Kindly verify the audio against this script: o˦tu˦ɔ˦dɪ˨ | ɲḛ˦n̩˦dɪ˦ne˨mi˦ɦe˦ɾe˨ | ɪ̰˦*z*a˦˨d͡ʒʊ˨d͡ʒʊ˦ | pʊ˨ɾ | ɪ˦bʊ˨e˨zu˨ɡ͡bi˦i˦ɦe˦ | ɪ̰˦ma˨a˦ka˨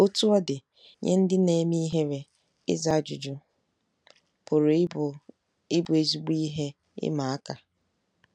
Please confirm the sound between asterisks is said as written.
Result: yes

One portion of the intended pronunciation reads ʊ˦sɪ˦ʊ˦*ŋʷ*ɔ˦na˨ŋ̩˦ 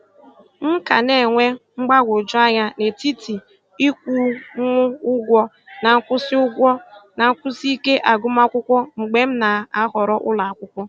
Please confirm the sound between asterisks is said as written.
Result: no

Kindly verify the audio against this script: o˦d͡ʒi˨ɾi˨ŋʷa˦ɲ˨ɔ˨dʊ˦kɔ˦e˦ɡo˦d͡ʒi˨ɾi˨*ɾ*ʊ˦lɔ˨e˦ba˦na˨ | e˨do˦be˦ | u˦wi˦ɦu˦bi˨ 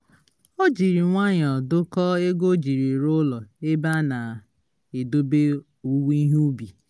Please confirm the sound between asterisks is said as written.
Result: yes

